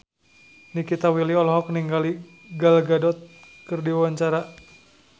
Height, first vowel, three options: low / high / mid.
high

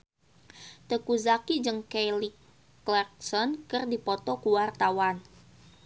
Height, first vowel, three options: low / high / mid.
mid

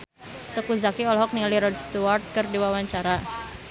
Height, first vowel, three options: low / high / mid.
mid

